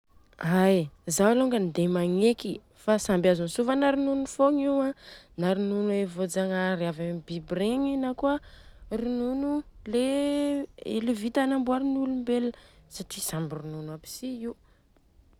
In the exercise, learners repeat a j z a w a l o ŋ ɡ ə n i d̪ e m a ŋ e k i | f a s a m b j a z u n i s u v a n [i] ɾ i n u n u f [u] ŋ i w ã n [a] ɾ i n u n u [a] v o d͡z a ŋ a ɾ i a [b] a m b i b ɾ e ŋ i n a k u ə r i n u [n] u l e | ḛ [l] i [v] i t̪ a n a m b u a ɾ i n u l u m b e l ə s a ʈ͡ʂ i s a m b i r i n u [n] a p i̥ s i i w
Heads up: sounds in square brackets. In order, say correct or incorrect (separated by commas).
incorrect, incorrect, correct, incorrect, incorrect, correct, correct, correct, correct